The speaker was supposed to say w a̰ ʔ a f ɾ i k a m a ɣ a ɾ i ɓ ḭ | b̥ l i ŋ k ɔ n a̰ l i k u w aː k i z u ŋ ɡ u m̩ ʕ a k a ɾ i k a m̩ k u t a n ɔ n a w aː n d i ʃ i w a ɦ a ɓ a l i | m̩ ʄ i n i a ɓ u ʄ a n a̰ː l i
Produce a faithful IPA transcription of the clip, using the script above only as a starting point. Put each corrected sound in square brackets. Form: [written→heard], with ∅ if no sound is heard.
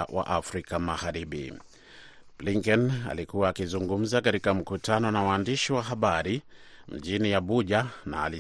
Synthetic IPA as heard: w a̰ ʔ a f ɾ i k a m a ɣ a ɾ i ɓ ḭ | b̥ l i ŋ k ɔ n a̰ l i k u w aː k i z u ŋ ɡ u m̩ [ʕ→z] a k a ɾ i k a m̩ k u t a n ɔ n a w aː n d i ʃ i w a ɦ a ɓ a [l→ɾ] i | m̩ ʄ i n i a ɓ u ʄ a n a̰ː l i